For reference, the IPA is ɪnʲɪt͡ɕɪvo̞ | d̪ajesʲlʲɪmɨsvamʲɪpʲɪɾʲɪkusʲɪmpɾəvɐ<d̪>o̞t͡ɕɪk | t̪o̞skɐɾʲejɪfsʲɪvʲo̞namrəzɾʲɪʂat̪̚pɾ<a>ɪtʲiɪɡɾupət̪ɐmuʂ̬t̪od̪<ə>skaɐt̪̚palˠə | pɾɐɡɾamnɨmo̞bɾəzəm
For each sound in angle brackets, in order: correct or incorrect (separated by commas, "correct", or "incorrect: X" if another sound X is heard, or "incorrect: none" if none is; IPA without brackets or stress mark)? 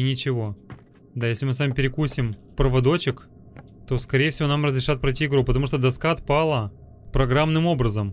correct, incorrect: ɐ, incorrect: ɐ